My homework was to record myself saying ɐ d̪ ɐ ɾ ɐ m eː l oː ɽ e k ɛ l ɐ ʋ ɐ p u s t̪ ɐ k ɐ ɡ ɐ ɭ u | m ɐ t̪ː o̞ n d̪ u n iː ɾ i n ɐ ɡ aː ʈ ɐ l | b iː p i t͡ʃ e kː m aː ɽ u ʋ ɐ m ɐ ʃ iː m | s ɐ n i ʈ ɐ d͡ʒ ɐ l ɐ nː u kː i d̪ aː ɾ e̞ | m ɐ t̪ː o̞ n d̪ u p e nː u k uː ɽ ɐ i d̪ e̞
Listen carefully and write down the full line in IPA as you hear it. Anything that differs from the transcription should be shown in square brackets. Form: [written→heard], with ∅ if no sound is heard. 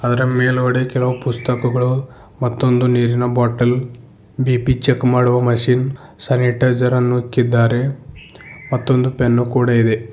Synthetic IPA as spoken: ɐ d̪ ɐ ɾ ɐ m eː l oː ɽ e k ɛ l ɐ ʋ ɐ p u s t̪ ɐ k ɐ ɡ ɐ ɭ u | m ɐ t̪ː o̞ n d̪ u n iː ɾ i n ɐ [ɡ→b] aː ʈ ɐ l | b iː p i t͡ʃ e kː m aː ɽ u ʋ ɐ m ɐ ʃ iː [m→n] | s ɐ n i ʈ ɐ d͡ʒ ɐ [l→ɾ] ɐ nː u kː i [d̪→d̪ː] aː ɾ e̞ | m ɐ t̪ː o̞ n d̪ u p e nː u k uː ɽ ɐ i d̪ e̞